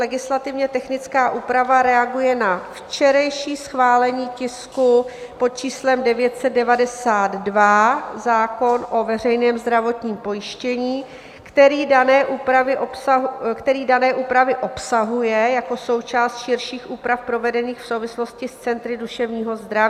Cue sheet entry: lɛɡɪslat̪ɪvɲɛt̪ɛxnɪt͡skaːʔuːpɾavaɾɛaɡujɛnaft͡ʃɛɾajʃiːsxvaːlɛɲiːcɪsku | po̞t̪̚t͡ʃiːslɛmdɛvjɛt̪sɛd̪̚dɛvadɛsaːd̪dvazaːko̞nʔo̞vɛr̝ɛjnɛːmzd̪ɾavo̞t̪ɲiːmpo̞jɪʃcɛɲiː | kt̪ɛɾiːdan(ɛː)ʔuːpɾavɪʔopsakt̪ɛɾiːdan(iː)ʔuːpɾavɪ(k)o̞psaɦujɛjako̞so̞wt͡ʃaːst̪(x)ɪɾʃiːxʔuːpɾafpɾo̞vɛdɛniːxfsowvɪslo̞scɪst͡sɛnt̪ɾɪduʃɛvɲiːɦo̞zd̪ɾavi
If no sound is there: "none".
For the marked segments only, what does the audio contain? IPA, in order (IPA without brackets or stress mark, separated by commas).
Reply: ɛː, ɛː, ʔ, ʃ